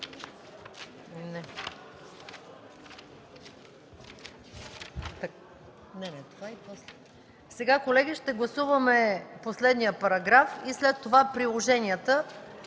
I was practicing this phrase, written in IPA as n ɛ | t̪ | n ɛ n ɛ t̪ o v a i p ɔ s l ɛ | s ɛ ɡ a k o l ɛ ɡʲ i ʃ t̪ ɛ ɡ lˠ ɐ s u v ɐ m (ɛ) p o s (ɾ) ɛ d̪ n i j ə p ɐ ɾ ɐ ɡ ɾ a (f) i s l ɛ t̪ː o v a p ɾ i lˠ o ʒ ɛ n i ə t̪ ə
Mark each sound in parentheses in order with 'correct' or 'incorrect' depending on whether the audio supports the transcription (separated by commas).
correct, incorrect, correct